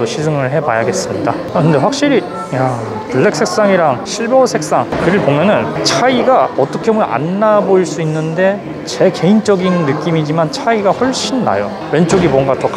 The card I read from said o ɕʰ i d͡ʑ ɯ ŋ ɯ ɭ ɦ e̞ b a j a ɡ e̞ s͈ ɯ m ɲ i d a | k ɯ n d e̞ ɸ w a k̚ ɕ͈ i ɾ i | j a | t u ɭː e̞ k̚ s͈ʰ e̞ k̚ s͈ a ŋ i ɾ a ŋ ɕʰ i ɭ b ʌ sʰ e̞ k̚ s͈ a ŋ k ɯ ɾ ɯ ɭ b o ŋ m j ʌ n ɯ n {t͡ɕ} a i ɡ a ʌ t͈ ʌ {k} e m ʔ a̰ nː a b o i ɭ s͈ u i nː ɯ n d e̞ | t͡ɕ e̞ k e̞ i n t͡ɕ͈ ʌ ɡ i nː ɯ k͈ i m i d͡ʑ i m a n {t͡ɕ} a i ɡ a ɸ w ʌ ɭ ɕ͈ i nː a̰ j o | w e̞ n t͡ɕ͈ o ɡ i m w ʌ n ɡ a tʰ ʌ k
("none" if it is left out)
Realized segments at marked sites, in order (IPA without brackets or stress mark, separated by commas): t͡ɕʰ, kʰ, t͡ɕʰ